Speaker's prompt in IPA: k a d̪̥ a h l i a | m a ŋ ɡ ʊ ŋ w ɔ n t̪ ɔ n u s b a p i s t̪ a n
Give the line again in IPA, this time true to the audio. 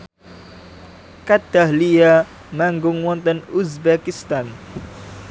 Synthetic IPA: k a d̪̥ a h l i a | m a ŋ ɡ ʊ ŋ w ɔ n t̪ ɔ n u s b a k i s t̪ a n